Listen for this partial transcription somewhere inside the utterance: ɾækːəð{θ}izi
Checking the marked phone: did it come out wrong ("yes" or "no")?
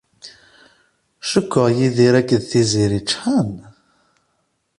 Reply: no